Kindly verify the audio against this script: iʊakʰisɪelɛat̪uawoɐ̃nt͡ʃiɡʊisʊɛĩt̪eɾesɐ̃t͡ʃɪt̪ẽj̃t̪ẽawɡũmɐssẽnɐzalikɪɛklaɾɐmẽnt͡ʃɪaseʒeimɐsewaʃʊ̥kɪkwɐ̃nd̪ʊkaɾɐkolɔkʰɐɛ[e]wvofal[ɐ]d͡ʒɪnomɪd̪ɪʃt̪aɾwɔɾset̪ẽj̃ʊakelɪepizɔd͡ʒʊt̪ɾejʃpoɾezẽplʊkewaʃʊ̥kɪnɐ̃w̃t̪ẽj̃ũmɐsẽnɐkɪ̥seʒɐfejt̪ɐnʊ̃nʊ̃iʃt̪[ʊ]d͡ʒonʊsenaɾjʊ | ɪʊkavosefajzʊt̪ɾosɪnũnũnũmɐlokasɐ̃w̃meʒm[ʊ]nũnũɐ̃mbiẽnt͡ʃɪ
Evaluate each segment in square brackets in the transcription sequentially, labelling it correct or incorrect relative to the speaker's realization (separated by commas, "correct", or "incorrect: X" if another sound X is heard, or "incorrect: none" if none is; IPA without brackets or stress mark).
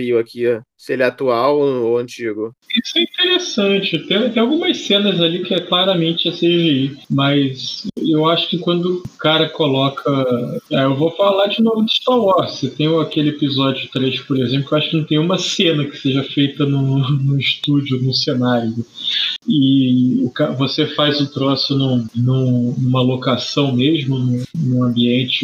correct, incorrect: a, incorrect: u, correct